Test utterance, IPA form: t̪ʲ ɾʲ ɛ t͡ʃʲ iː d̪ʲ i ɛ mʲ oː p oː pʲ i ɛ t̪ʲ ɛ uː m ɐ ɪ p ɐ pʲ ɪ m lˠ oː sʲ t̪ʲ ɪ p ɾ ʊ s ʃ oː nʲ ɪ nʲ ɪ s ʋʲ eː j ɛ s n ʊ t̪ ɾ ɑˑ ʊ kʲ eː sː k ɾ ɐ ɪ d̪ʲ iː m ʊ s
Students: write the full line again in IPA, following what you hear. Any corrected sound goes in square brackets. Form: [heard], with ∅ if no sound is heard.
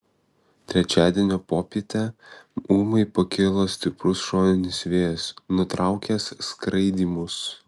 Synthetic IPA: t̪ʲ ɾʲ ɛ t͡ʃʲ [æː] d̪ʲ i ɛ [nʲ] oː p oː pʲ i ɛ t̪ʲ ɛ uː m ɐ ɪ p ɐ [kʲ] ɪ [∅] lˠ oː sʲ t̪ʲ ɪ p ɾ ʊ s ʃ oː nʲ ɪ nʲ ɪ s ʋʲ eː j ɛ s n ʊ t̪ ɾ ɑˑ ʊ kʲ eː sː k ɾ ɐ ɪ d̪ʲ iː m ʊ s

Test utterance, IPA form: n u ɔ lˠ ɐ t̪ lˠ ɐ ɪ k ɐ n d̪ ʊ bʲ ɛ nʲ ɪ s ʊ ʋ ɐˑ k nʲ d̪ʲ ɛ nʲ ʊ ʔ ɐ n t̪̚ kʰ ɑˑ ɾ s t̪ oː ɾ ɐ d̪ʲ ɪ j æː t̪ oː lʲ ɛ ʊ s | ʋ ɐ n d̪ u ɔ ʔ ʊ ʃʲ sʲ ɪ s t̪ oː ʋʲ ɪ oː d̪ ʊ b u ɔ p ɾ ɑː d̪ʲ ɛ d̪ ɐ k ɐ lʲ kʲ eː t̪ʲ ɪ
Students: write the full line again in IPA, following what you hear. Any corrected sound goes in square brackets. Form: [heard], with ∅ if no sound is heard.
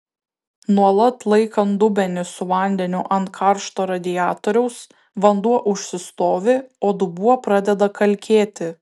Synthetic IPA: n u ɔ lˠ ɐ t̪ lˠ ɐ ɪ k ɐ n d̪ ʊ bʲ ɛ nʲ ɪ s ʊ ʋ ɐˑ [∅] nʲ d̪ʲ ɛ nʲ ʊ ʔ ɐ n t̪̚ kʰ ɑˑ ɾ [ʃ] t̪ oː ɾ ɐ d̪ʲ ɪ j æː t̪ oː [ɾʲ] ɛ ʊ s | ʋ ɐ n d̪ u ɔ ʔ ʊ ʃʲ sʲ ɪ s t̪ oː ʋʲ ɪ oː d̪ ʊ b u ɔ p ɾ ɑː d̪ʲ ɛ d̪ ɐ k ɐ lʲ kʲ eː t̪ʲ ɪ

